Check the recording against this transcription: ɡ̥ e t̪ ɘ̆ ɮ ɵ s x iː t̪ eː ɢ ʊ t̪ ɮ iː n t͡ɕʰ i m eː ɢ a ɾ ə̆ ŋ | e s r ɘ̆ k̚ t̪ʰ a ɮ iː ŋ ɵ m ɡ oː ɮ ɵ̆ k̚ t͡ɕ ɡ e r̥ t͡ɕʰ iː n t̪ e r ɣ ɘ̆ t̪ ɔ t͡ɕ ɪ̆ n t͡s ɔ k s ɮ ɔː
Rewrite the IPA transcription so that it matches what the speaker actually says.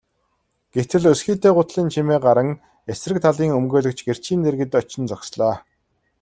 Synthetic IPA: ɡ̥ e t̪ ɘ̆ ɮ ɵ s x iː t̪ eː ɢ ʊ t̪ ɮ iː n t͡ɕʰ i m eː ɢ a ɾ ə̆ ŋ | e s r ɘ̆ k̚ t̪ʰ a ɮ iː ŋ ɵ m ɡ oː ɮ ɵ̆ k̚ t͡ɕ ɡ e r̥ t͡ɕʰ iː n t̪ e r ɣ ɘ̆ t̪ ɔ t͡ɕ ɪ̆ n t͡s ɔ k s ɮ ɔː